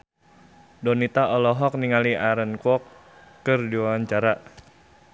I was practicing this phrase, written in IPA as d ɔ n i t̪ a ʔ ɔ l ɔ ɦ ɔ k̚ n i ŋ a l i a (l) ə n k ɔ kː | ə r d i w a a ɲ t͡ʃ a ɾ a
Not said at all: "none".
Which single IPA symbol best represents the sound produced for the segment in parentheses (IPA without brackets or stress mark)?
ɾ